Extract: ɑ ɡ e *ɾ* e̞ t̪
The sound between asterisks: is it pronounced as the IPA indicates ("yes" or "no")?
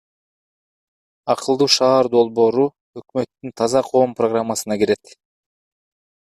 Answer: yes